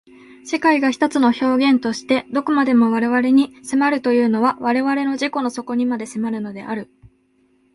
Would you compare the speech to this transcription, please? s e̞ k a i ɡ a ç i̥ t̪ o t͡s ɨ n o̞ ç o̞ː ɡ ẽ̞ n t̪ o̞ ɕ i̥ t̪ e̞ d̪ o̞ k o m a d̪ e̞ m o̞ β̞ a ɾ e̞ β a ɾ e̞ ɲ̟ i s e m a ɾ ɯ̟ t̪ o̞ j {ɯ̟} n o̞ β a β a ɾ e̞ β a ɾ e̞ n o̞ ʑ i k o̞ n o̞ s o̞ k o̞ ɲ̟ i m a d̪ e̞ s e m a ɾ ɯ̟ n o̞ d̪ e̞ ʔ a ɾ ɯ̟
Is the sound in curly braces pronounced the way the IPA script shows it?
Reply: no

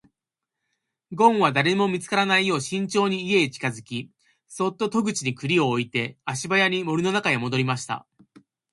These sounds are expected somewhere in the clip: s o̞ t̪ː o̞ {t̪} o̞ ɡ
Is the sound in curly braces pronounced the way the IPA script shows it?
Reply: yes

